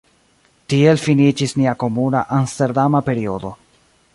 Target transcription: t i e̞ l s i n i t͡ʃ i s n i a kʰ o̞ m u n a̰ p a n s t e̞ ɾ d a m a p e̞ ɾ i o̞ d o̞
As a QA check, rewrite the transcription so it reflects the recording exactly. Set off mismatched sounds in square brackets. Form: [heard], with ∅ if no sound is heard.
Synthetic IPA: t i e̞ l [f] i n i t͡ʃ i s n i a [k] o̞ m u n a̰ [ʔ] a n s t e̞ ɾ d a m a p e̞ ɾ i o̞ d o̞